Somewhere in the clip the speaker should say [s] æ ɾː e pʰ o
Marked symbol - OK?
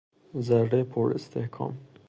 no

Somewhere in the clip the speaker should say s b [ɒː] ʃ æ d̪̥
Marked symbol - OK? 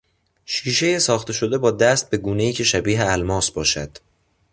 yes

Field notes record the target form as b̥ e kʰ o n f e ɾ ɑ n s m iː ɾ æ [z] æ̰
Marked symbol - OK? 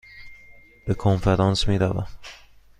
no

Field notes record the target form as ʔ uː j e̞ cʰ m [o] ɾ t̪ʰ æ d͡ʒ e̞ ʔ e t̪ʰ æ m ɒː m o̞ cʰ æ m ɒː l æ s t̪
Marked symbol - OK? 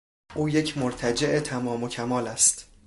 yes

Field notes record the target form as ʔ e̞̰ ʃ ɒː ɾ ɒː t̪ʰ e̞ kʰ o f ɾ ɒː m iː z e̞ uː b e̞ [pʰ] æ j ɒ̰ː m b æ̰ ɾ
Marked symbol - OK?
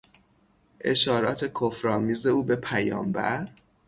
yes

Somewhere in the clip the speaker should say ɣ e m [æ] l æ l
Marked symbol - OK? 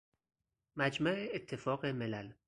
no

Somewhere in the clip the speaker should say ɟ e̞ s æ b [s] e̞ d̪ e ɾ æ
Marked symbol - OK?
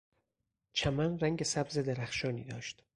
no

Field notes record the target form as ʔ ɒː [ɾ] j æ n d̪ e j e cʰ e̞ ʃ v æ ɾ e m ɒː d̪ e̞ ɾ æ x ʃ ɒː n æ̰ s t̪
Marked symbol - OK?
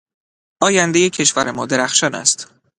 no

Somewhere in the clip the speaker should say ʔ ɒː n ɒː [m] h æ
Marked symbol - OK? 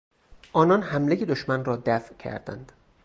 no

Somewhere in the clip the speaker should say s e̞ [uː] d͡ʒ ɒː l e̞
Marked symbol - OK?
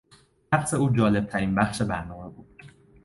yes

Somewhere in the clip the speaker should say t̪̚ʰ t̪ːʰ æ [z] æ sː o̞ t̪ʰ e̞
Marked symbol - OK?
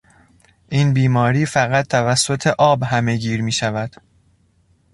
no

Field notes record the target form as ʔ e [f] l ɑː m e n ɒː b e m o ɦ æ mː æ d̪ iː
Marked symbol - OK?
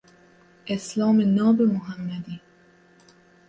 no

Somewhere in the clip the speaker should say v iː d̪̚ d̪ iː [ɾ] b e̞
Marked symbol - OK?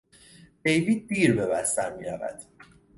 yes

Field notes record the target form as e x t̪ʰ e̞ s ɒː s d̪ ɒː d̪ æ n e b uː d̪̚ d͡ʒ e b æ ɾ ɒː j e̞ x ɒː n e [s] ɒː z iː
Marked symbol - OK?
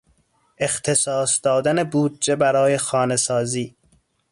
yes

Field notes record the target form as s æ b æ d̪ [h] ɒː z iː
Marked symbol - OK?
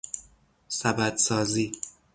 no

